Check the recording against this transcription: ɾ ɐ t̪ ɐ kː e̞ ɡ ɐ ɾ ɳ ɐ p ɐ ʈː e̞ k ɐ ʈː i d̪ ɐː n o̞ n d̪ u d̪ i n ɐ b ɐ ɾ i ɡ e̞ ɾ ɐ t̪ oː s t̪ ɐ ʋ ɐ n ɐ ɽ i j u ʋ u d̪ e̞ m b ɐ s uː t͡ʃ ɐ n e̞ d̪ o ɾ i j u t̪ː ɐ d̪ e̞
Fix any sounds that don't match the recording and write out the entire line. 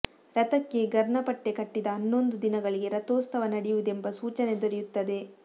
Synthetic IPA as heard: ɾ ɐ t̪ ɐ kː e̞ ɡ ɐ ɾ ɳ ɐ p ɐ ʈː e̞ k ɐ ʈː i d̪ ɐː nː o̞ n d̪ u d̪ i n ɐ ɡ ɐ ɭ i ɡ e̞ ɾ ɐ t̪ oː s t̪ ɐ ʋ ɐ n ɐ ɽ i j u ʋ u d̪ e̞ m b ɐ s uː t͡ʃ ɐ n e̞ d̪ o ɾ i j u t̪ː ɐ d̪ e̞